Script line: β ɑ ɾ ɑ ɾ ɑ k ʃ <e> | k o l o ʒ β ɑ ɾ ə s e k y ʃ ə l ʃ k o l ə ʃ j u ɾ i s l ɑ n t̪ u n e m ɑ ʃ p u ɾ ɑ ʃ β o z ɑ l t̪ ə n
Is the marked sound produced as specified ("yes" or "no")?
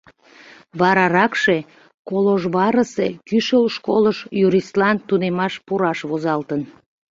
yes